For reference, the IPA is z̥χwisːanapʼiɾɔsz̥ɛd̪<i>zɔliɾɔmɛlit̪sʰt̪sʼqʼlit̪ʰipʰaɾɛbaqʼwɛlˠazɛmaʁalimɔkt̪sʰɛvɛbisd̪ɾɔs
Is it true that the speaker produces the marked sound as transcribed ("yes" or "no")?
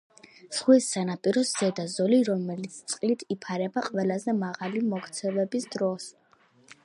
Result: no